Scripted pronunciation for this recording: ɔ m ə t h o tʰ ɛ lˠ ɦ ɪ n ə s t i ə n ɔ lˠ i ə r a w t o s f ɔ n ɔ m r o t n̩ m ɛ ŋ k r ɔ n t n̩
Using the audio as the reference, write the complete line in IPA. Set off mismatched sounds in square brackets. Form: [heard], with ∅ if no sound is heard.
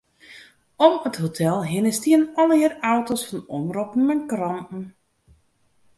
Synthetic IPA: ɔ m ə t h o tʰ ɛ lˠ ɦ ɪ n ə s t i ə n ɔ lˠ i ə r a w t o s f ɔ n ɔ m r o [p] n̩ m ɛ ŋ k r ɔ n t n̩